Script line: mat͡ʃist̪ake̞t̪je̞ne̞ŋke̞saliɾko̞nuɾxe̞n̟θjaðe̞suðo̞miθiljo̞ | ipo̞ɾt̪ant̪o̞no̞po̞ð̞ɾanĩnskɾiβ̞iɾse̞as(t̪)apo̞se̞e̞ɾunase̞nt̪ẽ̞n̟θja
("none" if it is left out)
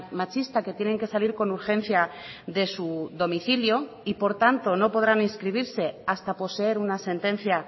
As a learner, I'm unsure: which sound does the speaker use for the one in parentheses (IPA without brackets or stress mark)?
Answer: t̪